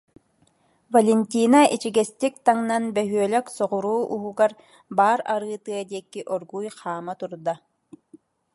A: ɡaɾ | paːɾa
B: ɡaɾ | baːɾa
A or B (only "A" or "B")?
B